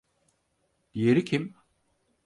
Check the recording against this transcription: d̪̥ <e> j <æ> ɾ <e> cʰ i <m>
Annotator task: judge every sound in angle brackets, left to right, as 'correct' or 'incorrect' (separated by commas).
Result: incorrect, incorrect, incorrect, correct